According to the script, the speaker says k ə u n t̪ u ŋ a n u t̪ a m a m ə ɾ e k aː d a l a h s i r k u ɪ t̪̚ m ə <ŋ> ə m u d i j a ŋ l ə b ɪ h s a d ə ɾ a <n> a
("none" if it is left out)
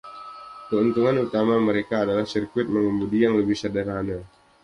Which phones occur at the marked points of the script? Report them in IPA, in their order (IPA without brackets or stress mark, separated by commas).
ŋ, n